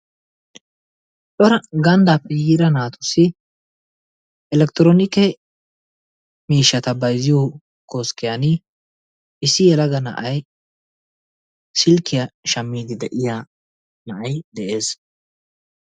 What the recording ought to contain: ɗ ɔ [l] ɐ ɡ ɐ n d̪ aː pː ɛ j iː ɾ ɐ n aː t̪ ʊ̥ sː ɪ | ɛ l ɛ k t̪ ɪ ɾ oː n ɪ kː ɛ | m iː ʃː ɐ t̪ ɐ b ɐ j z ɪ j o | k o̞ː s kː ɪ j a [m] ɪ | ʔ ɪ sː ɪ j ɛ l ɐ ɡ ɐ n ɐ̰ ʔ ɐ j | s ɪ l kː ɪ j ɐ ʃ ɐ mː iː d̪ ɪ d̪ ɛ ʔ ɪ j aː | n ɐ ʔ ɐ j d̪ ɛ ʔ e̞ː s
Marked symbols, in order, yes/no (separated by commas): no, no